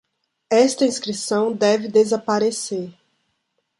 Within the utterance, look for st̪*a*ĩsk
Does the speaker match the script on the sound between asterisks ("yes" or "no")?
no